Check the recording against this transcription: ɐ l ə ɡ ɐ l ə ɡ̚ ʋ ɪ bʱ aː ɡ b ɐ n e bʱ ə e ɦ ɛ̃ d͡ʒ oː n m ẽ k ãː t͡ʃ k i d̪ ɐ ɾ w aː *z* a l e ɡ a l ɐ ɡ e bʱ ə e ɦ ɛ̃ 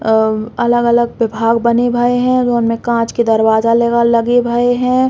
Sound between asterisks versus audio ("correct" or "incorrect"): correct